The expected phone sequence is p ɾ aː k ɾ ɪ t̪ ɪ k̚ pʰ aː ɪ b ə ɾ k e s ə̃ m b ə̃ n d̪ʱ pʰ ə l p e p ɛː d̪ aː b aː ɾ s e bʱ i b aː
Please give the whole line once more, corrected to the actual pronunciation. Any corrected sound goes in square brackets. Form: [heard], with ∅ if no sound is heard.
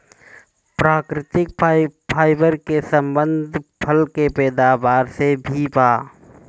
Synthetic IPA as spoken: p ɾ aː k ɾ ɪ t̪ ɪ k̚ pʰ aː ɪ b ə ɾ k e s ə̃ m b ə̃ n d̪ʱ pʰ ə l [k] e p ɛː d̪ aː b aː ɾ s e bʱ i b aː